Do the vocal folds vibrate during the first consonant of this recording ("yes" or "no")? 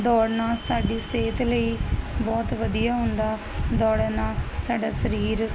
yes